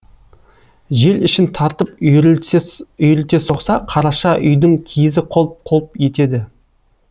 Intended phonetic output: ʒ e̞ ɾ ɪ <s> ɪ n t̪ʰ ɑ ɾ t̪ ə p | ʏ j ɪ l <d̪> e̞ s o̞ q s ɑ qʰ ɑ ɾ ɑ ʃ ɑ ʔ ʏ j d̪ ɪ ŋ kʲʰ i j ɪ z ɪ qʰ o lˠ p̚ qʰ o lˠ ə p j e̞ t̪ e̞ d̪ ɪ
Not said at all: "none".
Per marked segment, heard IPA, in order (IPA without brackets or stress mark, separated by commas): ʃ, t̪